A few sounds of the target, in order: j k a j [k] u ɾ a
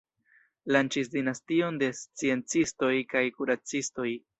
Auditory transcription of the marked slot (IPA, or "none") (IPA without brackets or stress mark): k